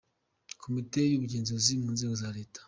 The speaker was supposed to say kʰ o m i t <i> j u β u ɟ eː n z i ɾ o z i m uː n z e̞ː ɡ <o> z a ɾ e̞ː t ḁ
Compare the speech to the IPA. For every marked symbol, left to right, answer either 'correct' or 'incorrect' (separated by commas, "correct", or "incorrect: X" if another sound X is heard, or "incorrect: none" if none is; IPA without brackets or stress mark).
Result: incorrect: e, correct